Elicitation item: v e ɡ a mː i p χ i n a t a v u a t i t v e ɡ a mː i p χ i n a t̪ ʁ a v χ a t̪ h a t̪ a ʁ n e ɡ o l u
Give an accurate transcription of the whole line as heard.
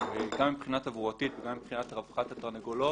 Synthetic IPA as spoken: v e ɡ a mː i p χ i n a t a v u a t i t v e ɡ a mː i p χ i n a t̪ ʁ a v χ a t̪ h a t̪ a ʁ n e ɡ o l o